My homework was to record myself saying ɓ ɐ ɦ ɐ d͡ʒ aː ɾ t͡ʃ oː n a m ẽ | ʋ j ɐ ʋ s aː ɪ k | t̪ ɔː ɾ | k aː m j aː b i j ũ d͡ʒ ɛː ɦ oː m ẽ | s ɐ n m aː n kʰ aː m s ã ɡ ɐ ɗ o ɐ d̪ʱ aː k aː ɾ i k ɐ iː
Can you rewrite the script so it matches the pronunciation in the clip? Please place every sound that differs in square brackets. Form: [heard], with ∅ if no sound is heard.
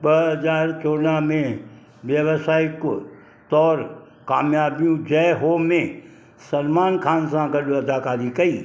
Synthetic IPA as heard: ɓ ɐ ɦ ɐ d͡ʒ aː ɾ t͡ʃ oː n a m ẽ | ʋ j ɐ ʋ s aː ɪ k | t̪ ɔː ɾ | k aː m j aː b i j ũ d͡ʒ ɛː ɦ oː m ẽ | s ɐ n m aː n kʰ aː [n] s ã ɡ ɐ ɗ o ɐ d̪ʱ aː k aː ɾ i k ɐ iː